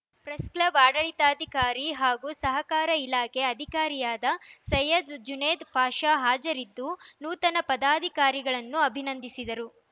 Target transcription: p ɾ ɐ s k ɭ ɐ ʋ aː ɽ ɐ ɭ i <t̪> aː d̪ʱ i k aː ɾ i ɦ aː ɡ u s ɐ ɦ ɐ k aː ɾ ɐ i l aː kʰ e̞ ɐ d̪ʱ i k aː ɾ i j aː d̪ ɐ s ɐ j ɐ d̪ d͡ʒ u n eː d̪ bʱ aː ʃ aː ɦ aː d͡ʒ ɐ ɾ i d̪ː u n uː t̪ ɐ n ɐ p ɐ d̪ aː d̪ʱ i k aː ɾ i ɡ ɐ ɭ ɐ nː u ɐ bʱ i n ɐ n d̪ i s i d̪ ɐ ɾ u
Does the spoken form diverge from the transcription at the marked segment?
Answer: no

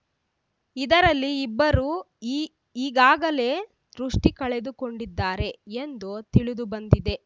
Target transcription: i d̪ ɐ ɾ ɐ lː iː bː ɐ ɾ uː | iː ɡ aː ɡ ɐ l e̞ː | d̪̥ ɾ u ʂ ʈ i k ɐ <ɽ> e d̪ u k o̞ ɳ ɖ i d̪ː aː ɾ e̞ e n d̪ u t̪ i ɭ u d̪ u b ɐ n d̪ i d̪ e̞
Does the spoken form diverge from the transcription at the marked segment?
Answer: yes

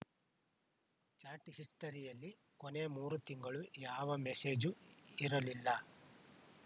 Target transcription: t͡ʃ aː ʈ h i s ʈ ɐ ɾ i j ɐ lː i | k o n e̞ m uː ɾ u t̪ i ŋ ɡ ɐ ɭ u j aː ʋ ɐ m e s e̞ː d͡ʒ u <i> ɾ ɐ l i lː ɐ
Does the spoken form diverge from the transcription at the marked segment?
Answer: no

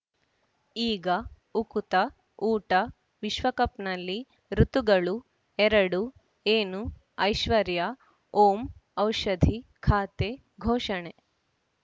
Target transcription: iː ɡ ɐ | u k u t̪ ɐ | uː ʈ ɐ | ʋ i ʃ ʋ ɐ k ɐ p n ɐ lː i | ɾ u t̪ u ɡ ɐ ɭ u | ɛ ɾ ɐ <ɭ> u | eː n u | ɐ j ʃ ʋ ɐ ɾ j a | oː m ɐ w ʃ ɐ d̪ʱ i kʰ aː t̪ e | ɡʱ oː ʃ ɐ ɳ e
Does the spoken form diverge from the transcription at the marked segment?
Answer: yes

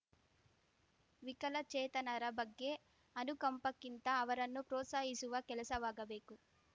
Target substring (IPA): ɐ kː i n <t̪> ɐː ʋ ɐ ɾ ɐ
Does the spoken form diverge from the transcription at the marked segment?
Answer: no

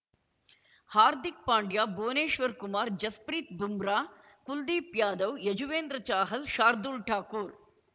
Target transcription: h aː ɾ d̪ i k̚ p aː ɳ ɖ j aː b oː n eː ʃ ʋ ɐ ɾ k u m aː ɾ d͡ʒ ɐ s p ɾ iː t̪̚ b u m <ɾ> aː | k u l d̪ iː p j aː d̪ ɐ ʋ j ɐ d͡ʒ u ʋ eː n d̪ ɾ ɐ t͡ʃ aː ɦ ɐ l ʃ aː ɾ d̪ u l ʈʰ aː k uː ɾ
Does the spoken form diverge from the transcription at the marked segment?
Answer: no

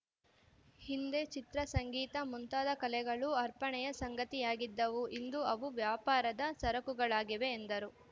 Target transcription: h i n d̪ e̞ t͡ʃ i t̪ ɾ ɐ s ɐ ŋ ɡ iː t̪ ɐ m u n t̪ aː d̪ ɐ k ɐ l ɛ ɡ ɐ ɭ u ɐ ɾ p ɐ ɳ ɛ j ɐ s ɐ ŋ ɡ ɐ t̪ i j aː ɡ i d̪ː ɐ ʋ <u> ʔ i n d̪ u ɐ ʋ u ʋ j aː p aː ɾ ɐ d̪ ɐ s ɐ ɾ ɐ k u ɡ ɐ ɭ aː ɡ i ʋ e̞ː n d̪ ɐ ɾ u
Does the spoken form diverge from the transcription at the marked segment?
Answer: no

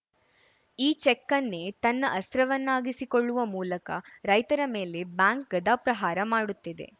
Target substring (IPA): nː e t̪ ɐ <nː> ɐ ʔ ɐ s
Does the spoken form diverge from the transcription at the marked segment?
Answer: no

